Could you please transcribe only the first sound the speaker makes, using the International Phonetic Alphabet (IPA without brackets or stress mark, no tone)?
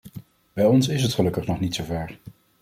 b